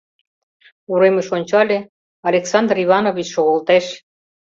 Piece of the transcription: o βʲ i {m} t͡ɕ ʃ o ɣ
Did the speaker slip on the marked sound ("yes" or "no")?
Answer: yes